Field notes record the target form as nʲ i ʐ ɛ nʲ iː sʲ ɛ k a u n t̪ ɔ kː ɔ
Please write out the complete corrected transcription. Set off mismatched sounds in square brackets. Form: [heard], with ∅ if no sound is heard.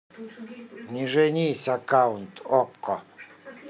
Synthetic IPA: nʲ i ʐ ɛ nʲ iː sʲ [a] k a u n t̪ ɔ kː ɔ